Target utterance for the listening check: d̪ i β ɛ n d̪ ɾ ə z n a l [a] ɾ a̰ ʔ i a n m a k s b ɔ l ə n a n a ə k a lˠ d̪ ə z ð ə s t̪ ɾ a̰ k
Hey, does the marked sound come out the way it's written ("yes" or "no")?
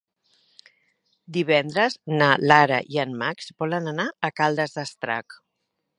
yes